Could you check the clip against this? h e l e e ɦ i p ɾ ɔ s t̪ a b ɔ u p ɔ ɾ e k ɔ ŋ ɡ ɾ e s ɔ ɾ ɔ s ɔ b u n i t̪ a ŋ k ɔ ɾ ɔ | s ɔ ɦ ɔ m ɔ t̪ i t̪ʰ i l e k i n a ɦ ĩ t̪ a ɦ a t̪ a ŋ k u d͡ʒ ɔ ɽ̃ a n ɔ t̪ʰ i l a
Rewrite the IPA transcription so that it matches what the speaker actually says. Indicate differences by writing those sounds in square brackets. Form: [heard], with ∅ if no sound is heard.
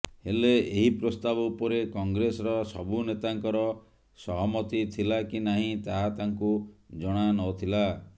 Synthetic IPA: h e l e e ɦ i p ɾ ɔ s t̪ a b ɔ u p ɔ ɾ e k ɔ ŋ ɡ ɾ e s ɔ ɾ ɔ s ɔ b u n [e] t̪ a ŋ k ɔ ɾ ɔ | s ɔ ɦ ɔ m ɔ t̪ i t̪ʰ i l [a] k i n a ɦ ĩ t̪ a ɦ a t̪ a ŋ k u d͡ʒ ɔ ɽ̃ a n ɔ t̪ʰ i l a